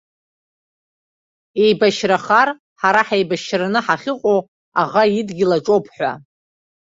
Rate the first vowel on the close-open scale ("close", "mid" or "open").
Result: mid